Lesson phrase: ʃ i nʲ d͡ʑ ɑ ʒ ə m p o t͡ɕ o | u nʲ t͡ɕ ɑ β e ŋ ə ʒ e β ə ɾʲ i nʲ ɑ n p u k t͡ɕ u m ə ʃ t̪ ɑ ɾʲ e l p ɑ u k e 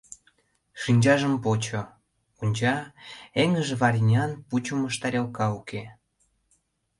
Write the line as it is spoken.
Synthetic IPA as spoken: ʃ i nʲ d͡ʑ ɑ ʒ ə m p o t͡ɕ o | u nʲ t͡ɕ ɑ e ŋ ə ʒ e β ɑ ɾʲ i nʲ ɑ n p u t͡ɕ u m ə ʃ t̪ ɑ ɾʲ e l k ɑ u k e